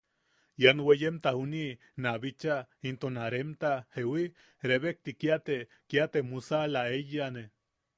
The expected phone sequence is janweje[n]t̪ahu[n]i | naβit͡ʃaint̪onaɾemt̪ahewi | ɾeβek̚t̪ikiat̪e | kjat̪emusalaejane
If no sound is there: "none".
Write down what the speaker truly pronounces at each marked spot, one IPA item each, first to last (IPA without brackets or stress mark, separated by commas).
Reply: m, n